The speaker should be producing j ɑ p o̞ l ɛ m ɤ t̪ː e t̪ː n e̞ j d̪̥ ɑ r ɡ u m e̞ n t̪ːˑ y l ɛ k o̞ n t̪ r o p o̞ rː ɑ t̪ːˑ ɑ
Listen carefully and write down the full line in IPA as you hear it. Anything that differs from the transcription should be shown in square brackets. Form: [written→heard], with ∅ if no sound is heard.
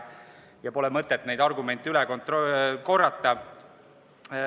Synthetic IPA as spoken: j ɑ p o̞ l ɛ m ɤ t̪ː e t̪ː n e̞ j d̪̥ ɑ r ɡ u m e̞ n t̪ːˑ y l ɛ k o̞ n t̪ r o [p→k] o̞ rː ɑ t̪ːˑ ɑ